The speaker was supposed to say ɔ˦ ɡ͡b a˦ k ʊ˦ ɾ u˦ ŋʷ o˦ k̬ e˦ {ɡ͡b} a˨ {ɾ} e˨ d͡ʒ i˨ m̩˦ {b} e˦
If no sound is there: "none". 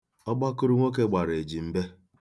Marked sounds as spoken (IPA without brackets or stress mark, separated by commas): ɡ͡b, ɾ, b